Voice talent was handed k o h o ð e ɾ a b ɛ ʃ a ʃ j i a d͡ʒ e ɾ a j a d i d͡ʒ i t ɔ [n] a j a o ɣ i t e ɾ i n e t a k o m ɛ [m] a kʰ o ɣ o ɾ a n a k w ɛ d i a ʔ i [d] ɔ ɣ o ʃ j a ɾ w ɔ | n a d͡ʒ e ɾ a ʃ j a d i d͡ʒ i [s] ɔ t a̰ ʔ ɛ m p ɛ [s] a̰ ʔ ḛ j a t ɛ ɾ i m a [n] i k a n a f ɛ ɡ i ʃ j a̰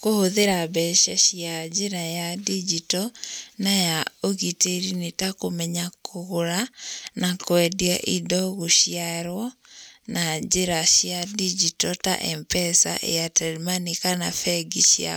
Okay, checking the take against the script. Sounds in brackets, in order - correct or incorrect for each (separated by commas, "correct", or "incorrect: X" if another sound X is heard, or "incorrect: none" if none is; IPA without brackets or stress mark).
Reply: correct, incorrect: ɲ, correct, incorrect: t, correct, correct